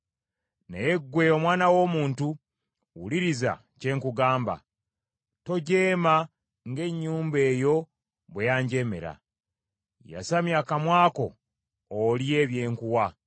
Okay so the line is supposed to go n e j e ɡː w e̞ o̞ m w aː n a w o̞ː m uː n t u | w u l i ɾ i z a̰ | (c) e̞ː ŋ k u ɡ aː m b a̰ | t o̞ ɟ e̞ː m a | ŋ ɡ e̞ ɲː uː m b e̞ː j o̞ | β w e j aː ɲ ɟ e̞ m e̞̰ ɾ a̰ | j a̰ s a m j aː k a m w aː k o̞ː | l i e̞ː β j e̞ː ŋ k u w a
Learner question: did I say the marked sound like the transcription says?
yes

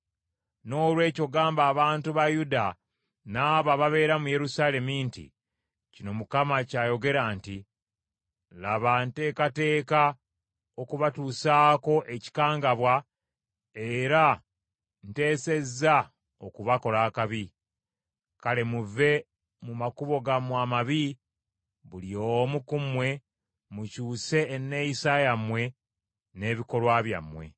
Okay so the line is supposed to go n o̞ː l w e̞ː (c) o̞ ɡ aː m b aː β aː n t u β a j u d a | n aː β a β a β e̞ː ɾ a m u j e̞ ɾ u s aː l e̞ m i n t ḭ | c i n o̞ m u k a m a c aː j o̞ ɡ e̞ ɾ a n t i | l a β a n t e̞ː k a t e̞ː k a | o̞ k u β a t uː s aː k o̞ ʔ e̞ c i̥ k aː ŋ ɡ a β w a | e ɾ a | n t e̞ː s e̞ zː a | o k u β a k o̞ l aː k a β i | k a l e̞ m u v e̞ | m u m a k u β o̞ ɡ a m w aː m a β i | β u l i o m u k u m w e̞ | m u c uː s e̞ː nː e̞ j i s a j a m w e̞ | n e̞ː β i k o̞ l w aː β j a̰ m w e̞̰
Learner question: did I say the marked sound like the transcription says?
yes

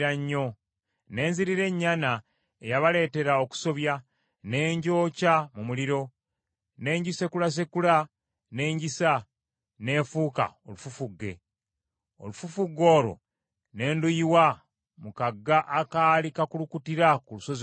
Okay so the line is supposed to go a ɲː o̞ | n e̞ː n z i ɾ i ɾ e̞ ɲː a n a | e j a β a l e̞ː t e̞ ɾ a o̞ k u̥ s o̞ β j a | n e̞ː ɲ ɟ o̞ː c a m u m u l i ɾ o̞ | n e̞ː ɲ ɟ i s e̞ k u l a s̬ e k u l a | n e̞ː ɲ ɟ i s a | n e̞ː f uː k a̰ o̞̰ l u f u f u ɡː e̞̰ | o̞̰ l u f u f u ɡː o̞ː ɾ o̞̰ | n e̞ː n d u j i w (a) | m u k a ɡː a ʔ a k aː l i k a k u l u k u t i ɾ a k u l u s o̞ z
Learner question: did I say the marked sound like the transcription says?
yes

